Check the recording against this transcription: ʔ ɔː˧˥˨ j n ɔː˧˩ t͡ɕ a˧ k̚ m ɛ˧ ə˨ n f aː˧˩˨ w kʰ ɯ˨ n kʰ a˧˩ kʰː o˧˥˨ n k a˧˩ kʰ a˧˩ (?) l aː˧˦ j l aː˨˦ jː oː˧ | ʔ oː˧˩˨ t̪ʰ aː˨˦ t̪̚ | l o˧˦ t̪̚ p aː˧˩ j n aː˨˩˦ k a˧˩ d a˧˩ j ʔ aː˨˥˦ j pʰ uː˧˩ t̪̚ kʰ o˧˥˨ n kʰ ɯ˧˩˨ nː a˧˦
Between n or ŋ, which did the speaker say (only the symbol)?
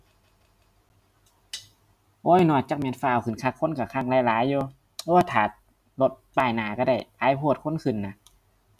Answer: ŋ